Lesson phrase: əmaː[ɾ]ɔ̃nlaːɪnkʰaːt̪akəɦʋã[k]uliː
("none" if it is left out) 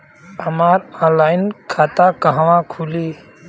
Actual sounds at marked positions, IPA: ɾ, kʰ

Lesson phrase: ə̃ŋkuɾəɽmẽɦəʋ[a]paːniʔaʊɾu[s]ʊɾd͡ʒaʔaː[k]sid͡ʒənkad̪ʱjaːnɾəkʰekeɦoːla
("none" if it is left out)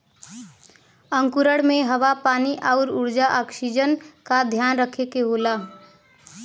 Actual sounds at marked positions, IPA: a, none, k

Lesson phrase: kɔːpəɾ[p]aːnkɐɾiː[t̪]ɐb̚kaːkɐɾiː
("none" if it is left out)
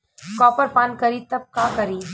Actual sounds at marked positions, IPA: p, t̪

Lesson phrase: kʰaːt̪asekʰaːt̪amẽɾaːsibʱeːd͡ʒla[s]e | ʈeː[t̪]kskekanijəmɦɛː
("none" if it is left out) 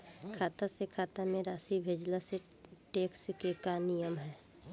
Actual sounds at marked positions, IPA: s, none

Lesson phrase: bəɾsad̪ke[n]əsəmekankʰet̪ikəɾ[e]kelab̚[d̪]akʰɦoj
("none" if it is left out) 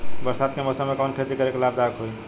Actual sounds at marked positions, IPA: m, e, d̪

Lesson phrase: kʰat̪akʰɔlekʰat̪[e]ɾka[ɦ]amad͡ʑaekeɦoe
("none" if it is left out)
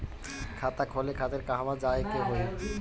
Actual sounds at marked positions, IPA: e, ɦ

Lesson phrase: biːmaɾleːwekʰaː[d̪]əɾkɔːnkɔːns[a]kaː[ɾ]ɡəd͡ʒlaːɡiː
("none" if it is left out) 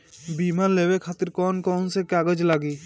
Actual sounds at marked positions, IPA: t̪, e, none

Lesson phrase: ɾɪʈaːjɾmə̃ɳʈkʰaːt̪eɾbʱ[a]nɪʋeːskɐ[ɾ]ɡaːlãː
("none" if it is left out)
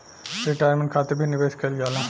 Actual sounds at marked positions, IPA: i, l

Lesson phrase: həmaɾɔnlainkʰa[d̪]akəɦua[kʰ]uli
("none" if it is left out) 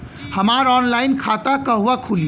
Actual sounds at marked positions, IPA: t̪, kʰ

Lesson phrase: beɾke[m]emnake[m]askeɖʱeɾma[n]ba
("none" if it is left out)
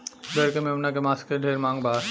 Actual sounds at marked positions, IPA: m, m, ŋ

